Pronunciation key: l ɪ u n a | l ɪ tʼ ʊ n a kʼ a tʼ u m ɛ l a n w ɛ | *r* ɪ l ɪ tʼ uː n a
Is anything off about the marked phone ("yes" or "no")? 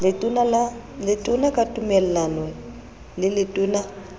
yes